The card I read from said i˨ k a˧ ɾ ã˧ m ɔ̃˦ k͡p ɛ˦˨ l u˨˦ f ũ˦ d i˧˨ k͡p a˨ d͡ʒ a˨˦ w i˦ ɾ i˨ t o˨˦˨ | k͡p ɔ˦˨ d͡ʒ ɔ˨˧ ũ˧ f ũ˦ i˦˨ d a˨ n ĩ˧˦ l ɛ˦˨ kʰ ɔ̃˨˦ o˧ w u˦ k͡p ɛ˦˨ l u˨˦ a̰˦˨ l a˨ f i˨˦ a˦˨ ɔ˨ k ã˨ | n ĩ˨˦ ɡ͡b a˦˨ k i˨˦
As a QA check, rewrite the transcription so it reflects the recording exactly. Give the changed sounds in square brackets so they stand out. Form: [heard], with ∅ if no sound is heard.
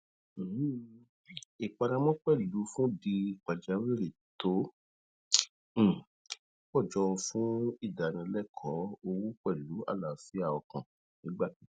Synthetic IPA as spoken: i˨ [k͡p] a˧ ɾ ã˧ m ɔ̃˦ k͡p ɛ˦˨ l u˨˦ f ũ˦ d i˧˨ k͡p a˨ d͡ʒ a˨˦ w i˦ ɾ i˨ t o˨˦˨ | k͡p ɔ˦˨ d͡ʒ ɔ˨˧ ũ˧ f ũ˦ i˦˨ d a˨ n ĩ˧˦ l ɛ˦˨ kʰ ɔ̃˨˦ o˧ w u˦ k͡p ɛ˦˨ l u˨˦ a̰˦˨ l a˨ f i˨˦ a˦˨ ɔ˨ k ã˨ | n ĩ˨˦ ɡ͡b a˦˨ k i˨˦